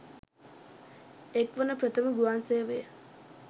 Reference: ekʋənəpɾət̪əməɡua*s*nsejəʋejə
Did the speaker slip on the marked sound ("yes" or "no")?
yes